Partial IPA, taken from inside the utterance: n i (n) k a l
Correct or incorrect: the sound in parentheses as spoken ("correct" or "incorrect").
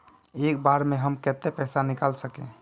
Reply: incorrect